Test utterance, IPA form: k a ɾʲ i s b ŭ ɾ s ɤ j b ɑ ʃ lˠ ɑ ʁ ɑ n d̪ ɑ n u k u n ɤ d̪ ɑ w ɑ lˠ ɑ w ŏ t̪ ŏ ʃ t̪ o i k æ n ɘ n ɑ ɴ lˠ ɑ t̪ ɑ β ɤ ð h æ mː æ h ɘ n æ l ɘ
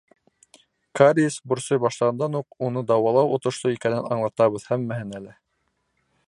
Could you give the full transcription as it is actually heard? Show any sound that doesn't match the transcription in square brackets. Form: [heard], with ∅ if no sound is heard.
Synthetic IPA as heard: k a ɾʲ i s b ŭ ɾ s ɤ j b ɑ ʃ lˠ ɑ ʁ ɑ n d̪ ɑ n u [q] u n ɤ d̪ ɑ w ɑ lˠ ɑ w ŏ t̪ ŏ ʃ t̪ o i k æ n ɘ n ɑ ɴ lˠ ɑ t̪ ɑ β ɤ ð h æ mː æ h ɘ n æ l ɘ